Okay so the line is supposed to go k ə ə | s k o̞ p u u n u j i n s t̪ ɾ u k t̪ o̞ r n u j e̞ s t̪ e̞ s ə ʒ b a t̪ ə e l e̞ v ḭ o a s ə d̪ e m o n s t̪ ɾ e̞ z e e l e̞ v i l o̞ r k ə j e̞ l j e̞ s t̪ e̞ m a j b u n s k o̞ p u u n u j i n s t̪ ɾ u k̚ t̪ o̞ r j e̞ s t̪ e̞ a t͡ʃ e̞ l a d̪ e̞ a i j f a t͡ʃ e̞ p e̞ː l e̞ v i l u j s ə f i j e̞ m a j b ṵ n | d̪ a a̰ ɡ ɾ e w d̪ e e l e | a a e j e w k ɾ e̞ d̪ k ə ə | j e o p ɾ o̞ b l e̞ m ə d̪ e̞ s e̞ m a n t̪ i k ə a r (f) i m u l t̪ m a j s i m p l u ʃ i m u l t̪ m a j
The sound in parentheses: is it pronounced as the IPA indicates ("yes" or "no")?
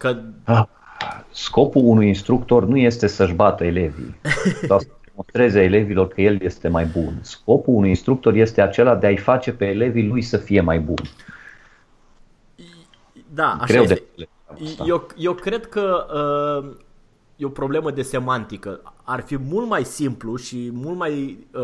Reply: yes